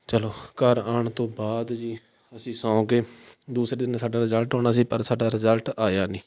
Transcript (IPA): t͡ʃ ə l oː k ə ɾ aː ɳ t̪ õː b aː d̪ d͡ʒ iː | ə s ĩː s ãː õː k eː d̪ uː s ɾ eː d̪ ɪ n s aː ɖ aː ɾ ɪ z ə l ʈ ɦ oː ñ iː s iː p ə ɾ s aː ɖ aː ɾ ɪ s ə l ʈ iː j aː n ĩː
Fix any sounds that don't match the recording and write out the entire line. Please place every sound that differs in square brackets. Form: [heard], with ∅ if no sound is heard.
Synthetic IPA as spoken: t͡ʃ ə l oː k ə ɾ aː ɳ t̪ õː b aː d̪ d͡ʒ iː | ə s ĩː s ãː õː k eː d̪ uː s ɾ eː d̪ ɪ n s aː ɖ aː ɾ ɪ z ə l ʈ ɦ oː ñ [aː] s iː p ə ɾ s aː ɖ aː ɾ ɪ [z] ə l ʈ [aː] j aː n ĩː